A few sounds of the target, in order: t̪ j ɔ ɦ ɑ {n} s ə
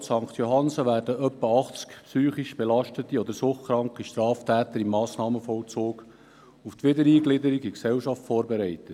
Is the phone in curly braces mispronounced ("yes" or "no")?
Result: no